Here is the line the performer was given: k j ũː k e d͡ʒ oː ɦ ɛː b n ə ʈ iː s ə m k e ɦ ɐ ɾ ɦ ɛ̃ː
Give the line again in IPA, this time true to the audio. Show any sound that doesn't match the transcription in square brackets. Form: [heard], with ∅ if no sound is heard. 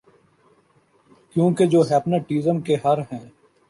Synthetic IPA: k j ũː k e d͡ʒ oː ɦ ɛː [p] n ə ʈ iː [z] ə m k e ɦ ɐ ɾ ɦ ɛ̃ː

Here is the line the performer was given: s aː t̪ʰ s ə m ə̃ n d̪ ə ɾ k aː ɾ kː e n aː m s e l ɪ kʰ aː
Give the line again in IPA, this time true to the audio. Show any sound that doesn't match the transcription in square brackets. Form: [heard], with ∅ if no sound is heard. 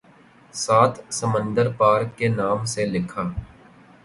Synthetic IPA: s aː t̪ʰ s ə m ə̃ n d̪ ə ɾ [p] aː ɾ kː e n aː m s e l ɪ kʰ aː

